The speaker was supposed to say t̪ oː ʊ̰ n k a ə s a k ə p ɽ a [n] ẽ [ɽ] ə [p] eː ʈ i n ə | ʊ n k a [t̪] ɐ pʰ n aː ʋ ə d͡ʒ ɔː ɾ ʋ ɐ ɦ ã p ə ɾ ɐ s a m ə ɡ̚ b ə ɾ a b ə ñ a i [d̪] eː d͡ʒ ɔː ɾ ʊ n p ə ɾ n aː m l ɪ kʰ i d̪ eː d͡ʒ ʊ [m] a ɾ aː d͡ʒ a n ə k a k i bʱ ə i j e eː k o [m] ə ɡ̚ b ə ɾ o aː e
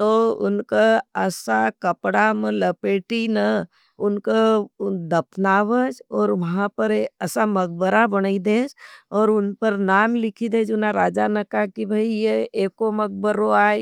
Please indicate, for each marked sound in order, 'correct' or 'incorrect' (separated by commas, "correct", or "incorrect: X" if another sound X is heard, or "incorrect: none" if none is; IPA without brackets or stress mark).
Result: incorrect: m, incorrect: l, correct, incorrect: d̪, correct, incorrect: n, correct